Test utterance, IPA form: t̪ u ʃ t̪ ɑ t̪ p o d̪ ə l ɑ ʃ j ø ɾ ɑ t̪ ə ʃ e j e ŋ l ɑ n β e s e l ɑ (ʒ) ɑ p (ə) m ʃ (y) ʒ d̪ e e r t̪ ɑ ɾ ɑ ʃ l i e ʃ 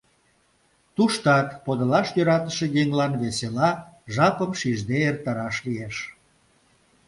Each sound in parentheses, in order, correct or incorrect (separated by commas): correct, correct, incorrect